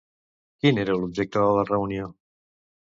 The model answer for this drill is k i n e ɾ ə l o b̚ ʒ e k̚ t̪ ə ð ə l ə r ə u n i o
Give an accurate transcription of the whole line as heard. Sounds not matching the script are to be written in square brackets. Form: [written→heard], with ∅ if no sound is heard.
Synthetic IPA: k i n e ɾ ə l [o→u] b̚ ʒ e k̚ t̪ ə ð ə l ə r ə u n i o